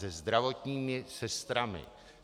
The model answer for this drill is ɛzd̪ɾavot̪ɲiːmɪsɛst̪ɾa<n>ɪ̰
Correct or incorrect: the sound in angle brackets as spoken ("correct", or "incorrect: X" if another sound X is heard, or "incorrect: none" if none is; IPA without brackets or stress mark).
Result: incorrect: m